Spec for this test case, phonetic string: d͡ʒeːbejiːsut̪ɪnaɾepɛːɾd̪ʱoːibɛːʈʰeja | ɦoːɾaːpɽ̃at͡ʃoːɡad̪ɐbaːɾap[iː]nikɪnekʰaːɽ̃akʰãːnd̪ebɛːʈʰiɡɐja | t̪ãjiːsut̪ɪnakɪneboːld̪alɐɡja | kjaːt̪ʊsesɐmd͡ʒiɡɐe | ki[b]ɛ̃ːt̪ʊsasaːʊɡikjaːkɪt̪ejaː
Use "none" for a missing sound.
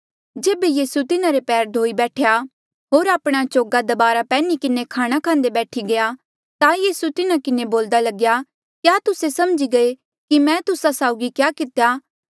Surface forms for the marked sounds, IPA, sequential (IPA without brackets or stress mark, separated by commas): ɛː, m